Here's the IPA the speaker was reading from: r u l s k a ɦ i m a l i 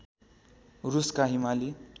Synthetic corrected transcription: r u s k a ɦ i m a l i